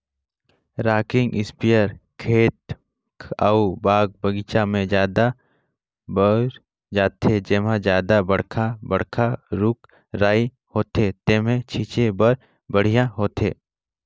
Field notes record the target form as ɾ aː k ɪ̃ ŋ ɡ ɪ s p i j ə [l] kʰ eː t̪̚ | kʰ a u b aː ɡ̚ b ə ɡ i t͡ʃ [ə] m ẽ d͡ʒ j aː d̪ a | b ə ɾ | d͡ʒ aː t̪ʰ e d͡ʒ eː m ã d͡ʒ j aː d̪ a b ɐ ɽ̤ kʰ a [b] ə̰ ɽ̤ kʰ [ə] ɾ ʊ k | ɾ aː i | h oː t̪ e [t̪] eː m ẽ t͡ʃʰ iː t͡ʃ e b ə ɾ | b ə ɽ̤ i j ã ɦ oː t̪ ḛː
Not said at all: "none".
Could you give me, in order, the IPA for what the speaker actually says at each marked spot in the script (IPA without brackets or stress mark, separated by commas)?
ɾ, a, b, a, t̪